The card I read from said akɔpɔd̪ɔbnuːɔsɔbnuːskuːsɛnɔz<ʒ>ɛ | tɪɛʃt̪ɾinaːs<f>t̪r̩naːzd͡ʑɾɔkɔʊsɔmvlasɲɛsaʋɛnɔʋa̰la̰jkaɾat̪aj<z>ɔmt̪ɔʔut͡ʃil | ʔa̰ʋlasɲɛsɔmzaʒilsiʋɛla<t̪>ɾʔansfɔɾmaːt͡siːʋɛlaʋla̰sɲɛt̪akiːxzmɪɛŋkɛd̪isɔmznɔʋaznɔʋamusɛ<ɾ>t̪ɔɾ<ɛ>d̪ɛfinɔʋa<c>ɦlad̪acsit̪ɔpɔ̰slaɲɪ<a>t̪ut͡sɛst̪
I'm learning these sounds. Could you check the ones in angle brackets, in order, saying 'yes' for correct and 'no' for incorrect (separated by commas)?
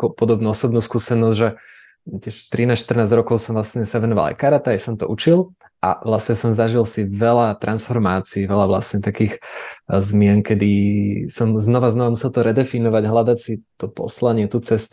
yes, no, no, yes, no, yes, no, no